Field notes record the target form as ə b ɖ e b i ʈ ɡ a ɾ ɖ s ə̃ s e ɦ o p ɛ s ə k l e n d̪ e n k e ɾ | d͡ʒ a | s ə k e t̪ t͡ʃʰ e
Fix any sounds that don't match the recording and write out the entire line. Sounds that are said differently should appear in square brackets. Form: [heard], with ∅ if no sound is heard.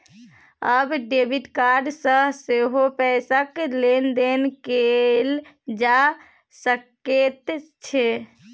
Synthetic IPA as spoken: ə b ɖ e b i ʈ [k] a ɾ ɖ s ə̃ s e ɦ o p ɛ s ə k l e n d̪ e n k e [l] | d͡ʒ a | s ə k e t̪ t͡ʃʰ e